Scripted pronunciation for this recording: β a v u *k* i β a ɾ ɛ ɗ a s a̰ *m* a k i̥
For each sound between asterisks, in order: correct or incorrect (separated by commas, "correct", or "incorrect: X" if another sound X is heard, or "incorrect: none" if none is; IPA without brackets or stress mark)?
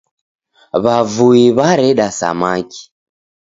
incorrect: none, correct